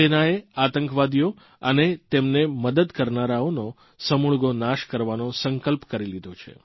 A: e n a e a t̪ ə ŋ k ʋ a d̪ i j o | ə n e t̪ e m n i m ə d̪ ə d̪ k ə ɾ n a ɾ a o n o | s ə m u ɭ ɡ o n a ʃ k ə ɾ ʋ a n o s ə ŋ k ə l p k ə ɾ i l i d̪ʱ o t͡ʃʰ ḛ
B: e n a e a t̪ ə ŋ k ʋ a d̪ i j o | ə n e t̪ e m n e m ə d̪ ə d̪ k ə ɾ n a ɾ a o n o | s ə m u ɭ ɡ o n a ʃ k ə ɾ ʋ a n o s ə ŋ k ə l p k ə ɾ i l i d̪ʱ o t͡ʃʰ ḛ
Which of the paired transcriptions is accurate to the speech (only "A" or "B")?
B